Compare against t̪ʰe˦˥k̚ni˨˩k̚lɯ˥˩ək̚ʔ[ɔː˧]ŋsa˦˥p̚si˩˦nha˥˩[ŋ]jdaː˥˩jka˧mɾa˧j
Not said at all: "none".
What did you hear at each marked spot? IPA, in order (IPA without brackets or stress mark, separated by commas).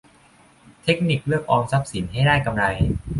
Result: ɔː˧, none